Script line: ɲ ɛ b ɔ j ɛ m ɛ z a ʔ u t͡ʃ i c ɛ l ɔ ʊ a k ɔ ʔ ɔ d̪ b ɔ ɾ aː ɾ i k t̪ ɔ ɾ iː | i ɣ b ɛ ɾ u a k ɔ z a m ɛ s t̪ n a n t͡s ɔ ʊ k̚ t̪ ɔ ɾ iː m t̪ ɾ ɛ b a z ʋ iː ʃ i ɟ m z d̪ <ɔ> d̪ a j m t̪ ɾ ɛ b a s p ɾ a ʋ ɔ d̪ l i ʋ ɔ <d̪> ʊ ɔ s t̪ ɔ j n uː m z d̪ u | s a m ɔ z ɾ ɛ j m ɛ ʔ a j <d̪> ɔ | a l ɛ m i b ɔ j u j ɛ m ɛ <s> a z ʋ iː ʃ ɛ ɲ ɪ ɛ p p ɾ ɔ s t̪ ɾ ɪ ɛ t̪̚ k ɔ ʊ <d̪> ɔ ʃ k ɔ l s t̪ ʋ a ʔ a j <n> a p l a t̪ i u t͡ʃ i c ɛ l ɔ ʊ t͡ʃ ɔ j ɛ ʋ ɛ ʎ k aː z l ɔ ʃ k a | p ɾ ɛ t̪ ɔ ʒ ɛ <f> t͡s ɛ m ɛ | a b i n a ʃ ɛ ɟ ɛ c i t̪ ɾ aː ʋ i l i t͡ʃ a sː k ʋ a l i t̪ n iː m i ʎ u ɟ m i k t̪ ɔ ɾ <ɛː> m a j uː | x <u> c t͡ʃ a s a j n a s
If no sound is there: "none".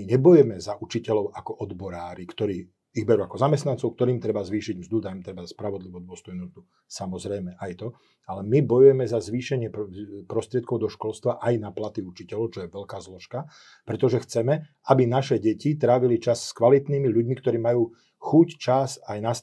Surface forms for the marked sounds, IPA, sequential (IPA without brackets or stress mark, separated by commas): u, d̪, t̪, z, d̪, n, x, iː, u